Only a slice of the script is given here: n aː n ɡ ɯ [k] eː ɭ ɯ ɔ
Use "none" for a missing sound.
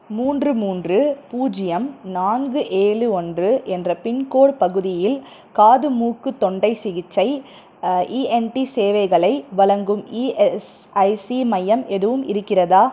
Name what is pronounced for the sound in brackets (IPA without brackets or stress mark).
ʔ